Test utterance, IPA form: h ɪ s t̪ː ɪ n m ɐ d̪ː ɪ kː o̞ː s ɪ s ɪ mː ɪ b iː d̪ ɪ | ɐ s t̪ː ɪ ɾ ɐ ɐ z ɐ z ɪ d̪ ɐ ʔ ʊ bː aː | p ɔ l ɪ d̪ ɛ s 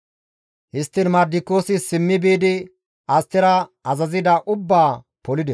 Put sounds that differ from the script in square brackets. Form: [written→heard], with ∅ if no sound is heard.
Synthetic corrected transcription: h ɪ s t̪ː ɪ n m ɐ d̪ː ɪ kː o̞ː s ɪ s ɪ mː ɪ b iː d̪ ɪ | ɐ s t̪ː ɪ ɾ ɐ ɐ z ɐ z ɪ d̪ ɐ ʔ ʊ bː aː | p ɔ l ɪ d̪ ɛ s